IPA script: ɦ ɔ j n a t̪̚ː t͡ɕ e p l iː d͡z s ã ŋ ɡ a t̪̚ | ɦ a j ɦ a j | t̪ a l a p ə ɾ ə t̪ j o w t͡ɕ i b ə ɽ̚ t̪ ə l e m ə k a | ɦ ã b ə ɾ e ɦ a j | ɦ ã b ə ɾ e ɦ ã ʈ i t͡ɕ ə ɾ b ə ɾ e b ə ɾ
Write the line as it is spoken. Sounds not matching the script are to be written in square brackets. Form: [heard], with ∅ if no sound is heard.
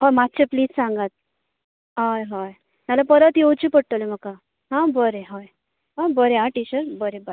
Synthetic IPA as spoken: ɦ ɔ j [m] a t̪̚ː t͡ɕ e p l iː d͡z s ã ŋ ɡ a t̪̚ | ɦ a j ɦ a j | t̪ a l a p ə ɾ ə t̪ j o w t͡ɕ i [p] ə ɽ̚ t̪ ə l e m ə k a | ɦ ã b ə ɾ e ɦ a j | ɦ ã b ə ɾ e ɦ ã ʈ i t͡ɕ ə ɾ b ə ɾ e b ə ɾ